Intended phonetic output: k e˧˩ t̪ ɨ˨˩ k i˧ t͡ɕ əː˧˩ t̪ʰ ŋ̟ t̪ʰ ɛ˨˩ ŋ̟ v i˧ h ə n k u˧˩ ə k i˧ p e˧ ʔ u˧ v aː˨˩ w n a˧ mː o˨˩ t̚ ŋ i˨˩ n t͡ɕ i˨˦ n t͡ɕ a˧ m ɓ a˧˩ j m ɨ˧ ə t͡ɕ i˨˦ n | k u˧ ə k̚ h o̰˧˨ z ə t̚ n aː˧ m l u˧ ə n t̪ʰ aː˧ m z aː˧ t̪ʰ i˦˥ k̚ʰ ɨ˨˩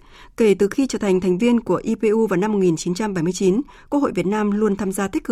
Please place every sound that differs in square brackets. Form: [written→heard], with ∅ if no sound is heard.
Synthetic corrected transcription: k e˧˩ t̪ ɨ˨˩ [k→x] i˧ t͡ɕ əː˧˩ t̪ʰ ŋ̟ t̪ʰ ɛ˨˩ ŋ̟ v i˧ [h→∅] ə n k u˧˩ ə [k→ʔ] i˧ p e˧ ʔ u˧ v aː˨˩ w n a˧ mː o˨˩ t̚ ŋ i˨˩ n t͡ɕ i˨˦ n t͡ɕ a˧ m ɓ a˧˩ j m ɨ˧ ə t͡ɕ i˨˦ n | k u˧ ə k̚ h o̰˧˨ [z→v] ə t̚ n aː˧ m l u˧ ə n t̪ʰ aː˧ m z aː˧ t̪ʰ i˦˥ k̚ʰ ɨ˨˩